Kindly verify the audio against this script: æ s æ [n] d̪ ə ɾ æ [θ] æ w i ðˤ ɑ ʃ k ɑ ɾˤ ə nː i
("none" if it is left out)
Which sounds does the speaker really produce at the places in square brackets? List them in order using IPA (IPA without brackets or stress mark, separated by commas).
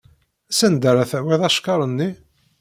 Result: n, θ